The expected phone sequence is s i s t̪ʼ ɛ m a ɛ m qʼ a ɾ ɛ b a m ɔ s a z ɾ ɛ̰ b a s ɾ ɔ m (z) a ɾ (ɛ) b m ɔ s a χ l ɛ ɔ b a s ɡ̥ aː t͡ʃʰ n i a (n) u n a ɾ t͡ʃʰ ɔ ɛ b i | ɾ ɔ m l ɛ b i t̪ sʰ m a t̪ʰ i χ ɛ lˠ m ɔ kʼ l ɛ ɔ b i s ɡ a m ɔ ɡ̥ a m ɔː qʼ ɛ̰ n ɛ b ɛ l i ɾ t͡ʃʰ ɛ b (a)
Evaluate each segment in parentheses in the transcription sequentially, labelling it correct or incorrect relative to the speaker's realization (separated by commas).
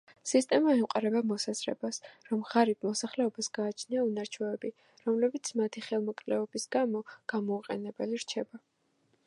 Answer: incorrect, incorrect, incorrect, correct